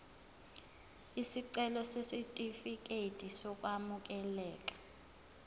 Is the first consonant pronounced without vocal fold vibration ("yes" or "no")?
yes